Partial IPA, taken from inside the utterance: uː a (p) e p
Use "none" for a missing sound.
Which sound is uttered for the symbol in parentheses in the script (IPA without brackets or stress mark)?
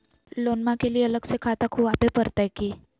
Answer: p